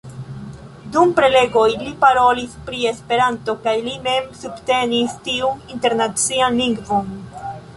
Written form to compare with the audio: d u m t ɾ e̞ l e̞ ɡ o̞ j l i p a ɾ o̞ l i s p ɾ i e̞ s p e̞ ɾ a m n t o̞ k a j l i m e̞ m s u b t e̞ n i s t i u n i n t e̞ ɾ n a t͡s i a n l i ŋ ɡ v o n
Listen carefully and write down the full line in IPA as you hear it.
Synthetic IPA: d u m p ɾ e̞ l e̞ ɡ o̞ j l i p a ɾ o̞ l i s p ɾ i e̞ s p e̞ ɾ a n t o̞ k a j l i m e̞ m s u b t e̞ n i s t i u n i n t e̞ ɾ n a t͡s i a n l i ŋ ɡ v o n